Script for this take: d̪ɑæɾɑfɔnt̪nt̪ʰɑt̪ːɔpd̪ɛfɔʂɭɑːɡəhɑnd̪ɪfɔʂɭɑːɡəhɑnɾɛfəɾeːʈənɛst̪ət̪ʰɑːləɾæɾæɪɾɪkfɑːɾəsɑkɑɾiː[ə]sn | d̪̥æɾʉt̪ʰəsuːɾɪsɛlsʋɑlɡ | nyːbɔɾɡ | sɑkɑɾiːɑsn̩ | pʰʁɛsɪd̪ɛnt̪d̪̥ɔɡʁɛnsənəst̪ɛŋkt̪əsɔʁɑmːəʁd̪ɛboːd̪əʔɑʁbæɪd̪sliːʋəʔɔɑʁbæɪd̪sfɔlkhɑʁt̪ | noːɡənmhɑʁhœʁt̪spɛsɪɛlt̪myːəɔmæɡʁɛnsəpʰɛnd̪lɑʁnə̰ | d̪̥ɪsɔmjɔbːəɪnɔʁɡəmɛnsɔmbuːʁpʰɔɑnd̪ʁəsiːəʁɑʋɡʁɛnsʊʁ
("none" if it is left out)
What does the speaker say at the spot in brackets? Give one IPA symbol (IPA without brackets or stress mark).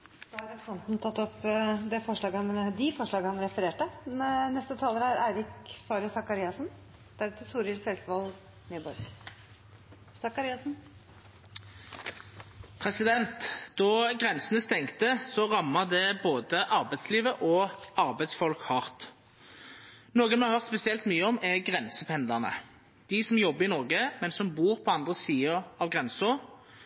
ɑ